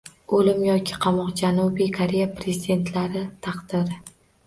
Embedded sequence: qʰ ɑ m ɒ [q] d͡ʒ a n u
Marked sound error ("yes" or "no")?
no